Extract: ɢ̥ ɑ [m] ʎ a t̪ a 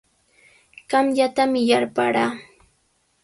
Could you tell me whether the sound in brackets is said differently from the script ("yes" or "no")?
no